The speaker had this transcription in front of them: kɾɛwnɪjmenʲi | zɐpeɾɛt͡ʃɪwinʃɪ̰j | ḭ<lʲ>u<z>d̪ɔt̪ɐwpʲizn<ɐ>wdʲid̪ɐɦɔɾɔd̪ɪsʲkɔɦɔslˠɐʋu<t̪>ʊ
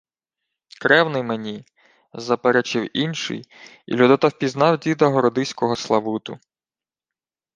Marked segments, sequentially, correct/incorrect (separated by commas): correct, incorrect, incorrect, correct